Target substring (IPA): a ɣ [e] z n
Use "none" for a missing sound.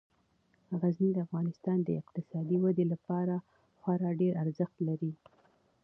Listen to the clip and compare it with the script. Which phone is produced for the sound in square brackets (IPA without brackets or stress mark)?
a